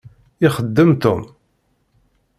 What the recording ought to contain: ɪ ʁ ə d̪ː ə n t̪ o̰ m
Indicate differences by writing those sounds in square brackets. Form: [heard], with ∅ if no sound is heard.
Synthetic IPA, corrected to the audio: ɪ [χ] ə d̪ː ə [m] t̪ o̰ m